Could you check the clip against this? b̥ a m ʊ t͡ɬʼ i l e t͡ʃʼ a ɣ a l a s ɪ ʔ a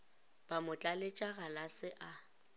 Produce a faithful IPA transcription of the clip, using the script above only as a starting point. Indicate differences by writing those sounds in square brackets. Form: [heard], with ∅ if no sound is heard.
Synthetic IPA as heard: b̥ a m ʊ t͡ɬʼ [a] l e t͡ʃʼ a ɣ a l a s ɪ ʔ a